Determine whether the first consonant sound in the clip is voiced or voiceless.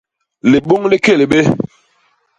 voiced